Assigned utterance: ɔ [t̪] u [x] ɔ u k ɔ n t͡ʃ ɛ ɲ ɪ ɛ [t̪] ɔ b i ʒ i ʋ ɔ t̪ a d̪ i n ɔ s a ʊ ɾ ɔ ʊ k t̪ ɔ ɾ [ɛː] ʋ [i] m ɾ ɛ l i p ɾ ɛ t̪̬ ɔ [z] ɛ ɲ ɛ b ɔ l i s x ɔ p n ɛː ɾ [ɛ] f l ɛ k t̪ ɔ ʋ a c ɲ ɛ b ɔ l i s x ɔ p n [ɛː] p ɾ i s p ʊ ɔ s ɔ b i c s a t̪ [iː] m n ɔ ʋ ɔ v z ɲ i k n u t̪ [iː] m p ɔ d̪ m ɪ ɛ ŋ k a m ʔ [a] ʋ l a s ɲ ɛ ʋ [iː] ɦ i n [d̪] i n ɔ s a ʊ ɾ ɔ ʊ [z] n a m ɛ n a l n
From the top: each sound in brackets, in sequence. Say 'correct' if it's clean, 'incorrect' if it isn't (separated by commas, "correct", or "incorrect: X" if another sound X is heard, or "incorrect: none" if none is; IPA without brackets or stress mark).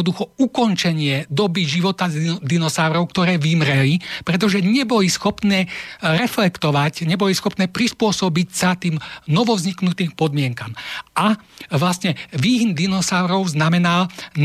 incorrect: d̪, correct, incorrect: d̪, correct, correct, incorrect: ʒ, correct, correct, correct, correct, correct, correct, correct, correct